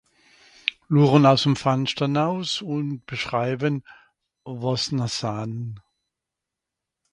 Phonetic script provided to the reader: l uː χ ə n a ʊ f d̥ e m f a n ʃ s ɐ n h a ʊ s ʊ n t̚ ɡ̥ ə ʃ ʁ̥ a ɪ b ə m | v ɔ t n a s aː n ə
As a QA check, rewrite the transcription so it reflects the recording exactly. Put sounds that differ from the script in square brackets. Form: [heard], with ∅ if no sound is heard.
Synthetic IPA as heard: l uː [ʁ] ə n a ʊ [s] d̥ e m f a n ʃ [t] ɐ n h a ʊ s ʊ n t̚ [b̥] ə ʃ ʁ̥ a ɪ b ə [n] | v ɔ [s] n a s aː n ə